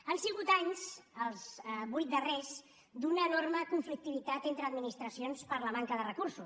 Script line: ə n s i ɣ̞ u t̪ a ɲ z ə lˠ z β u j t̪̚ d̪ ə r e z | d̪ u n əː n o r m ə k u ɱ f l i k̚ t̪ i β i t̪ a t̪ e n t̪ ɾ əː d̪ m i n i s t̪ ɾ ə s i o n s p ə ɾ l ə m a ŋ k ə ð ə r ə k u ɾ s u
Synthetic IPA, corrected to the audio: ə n s i ɣ̞ u t̪ a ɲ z ə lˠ z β u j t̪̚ d̪ ə r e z | d̪ u n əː n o r m ə k u ɱ f l i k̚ t̪ i β i t̪ a t̪ e n t̪ ɾ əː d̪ m i n i s t̪ ɾ ə s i o n s p ə ɾ l ə m a ŋ k ə ð ə r ə k u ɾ s u